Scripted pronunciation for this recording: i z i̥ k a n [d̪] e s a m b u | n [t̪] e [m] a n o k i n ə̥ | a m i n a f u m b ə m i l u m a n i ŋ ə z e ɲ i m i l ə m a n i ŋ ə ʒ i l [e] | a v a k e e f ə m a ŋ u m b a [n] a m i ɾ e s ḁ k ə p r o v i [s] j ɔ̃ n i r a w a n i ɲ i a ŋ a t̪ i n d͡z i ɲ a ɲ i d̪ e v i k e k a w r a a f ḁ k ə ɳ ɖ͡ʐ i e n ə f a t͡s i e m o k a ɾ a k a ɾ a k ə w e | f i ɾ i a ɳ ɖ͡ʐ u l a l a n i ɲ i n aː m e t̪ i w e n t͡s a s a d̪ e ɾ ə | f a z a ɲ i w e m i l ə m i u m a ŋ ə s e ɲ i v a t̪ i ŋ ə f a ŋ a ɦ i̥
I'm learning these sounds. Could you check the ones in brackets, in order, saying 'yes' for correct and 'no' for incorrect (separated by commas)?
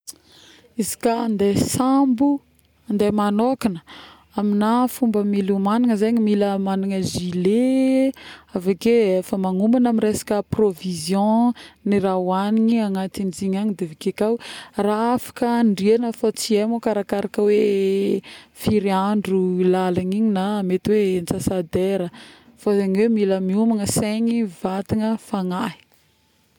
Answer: yes, no, yes, yes, yes, no